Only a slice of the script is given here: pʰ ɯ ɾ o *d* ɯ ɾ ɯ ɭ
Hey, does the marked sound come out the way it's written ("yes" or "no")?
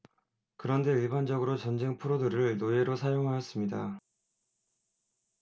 yes